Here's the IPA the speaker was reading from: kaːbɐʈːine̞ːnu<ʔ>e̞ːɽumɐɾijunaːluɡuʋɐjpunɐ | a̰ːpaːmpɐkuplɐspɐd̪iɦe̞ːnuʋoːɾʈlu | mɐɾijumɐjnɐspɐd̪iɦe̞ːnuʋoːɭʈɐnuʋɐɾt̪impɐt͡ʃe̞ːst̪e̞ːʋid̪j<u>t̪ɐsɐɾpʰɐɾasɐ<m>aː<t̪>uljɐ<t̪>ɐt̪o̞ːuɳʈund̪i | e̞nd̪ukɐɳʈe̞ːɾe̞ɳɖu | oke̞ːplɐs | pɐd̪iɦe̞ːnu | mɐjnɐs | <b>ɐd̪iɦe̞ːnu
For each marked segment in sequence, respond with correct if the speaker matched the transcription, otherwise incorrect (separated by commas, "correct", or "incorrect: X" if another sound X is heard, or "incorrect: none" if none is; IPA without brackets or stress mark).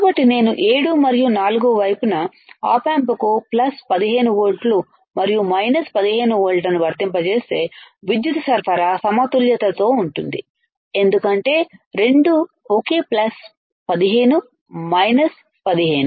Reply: correct, correct, correct, correct, correct, incorrect: p